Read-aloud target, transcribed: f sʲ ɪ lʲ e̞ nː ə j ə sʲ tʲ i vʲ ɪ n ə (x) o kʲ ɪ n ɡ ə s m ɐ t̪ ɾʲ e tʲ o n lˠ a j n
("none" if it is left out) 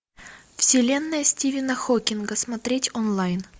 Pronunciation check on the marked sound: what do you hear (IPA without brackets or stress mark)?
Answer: x